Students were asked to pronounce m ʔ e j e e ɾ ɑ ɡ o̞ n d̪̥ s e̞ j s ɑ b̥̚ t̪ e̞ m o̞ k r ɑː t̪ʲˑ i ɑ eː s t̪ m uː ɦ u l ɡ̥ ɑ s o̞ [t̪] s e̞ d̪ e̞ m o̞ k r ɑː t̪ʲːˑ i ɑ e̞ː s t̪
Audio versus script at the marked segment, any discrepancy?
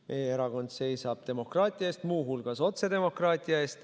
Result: no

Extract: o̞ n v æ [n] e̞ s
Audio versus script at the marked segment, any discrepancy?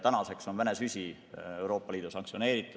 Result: no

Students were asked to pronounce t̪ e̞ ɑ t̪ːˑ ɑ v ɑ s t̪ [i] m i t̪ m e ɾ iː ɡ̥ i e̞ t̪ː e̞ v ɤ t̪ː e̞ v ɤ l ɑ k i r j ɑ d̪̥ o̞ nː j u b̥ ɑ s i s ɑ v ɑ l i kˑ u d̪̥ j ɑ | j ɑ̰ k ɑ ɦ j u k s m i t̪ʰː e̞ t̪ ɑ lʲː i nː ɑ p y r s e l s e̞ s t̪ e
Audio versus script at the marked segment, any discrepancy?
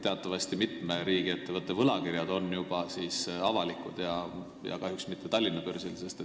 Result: no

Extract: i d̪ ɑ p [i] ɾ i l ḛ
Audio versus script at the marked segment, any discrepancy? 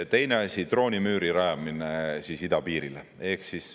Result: yes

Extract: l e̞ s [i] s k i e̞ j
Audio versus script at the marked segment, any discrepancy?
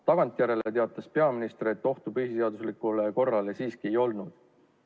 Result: yes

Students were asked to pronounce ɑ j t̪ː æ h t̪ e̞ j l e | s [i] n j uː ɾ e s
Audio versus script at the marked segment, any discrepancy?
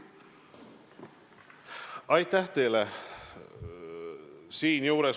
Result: yes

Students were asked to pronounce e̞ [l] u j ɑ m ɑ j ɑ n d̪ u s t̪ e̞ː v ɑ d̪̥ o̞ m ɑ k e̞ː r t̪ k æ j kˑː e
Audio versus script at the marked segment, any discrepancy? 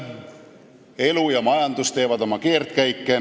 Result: no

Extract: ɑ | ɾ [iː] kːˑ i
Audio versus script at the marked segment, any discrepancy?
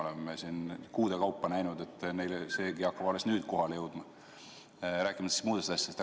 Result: yes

